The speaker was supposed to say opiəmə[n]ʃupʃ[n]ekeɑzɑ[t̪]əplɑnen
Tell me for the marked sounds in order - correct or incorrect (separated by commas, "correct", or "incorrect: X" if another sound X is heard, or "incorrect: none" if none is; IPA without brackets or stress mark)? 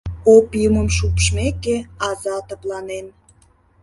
incorrect: m, incorrect: m, correct